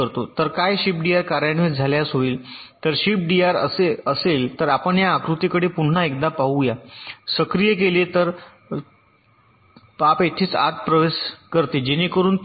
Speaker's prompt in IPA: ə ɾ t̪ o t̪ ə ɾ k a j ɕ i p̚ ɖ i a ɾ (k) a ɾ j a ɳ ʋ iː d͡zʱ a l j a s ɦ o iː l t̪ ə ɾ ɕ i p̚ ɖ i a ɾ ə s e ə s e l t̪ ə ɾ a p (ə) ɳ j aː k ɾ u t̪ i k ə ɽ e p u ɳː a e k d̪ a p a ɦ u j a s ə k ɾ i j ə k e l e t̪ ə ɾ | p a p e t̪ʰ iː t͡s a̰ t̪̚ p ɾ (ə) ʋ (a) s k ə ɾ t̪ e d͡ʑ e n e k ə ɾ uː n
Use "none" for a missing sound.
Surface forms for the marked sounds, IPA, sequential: k, ə, ə, e

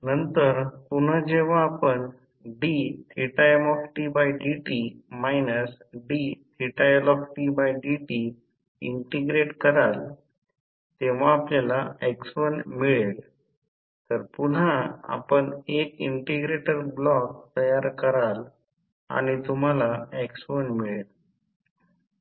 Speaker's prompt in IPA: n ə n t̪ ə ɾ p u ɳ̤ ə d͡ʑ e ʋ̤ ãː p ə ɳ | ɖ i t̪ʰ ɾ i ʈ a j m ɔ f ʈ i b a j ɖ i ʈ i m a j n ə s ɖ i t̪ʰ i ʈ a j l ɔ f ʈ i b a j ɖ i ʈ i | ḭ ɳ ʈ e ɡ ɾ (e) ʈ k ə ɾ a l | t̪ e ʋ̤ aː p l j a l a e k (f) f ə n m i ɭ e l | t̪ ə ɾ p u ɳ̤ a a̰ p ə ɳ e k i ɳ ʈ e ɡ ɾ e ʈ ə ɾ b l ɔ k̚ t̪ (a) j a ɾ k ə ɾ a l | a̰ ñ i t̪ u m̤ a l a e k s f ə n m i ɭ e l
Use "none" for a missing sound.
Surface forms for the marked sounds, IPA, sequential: e, s, ə

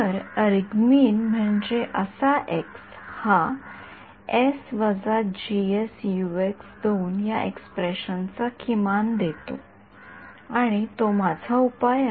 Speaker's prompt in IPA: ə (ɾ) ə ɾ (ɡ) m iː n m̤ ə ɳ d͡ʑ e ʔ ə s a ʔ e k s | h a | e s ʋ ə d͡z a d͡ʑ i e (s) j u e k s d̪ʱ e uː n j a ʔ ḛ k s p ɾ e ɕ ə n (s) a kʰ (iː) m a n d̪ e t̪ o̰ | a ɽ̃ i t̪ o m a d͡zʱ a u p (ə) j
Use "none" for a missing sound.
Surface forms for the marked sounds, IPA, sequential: ɾ, ɡ, s, t͡s, i, a

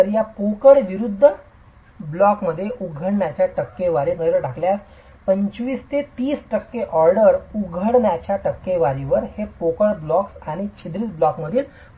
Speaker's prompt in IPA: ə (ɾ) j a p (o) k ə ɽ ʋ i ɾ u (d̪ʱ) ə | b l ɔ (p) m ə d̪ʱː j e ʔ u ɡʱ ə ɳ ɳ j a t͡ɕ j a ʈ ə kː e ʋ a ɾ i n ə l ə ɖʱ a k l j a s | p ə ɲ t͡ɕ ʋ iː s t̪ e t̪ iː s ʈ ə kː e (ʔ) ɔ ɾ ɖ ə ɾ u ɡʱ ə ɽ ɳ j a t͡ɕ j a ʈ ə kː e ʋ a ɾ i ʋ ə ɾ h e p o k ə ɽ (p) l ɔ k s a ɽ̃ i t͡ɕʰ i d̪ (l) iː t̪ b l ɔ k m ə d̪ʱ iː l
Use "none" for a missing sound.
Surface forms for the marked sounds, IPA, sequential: ɾ, o, d̪ʱː, k, ʔ, b, ɾ

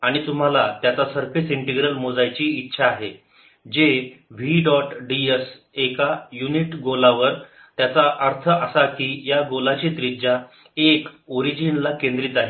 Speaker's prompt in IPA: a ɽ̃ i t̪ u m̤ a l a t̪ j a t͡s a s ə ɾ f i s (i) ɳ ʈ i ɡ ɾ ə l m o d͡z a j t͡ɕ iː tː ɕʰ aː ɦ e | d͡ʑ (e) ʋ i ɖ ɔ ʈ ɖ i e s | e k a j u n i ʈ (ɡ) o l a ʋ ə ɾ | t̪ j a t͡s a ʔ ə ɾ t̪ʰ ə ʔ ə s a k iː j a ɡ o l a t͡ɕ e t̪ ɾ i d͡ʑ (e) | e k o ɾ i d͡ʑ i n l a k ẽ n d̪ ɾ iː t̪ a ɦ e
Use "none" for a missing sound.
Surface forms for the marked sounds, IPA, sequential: i, e, ɡ, a

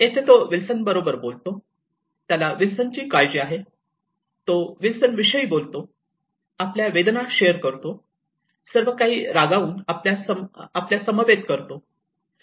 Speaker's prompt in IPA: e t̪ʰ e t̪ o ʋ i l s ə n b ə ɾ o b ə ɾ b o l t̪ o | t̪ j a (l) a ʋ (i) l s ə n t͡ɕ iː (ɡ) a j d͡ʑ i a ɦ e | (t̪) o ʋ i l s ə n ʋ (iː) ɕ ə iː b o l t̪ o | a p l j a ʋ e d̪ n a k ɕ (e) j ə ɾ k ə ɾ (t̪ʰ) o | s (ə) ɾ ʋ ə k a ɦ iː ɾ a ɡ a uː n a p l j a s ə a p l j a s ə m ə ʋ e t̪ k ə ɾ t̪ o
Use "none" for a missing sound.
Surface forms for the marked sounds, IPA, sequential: l, i, k, t̪, i, e, t̪, ə

